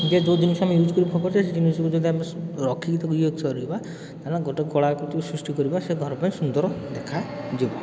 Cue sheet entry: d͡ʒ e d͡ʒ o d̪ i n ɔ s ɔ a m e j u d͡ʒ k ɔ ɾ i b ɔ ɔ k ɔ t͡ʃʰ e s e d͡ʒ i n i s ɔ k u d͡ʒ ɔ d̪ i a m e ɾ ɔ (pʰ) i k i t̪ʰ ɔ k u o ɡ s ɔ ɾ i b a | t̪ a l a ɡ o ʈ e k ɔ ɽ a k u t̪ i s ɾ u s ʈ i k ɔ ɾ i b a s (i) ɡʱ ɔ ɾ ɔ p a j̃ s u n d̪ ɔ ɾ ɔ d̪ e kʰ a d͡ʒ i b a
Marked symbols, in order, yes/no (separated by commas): no, no